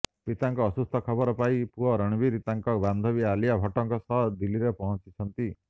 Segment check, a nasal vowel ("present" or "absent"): absent